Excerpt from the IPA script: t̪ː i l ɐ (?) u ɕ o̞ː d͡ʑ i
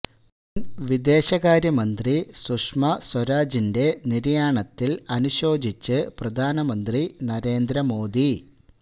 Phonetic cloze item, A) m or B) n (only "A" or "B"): B